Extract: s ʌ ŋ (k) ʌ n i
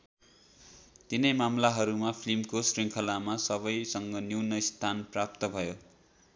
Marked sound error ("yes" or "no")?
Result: yes